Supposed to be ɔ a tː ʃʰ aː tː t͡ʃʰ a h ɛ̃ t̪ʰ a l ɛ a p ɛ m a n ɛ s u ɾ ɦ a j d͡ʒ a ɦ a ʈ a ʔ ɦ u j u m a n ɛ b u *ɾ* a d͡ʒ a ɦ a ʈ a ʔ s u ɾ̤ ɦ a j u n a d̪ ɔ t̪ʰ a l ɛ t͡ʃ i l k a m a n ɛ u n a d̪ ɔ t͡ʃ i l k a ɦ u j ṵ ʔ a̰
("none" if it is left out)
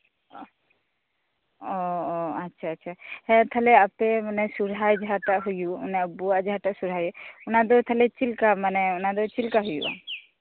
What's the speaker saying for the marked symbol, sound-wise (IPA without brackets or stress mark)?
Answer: none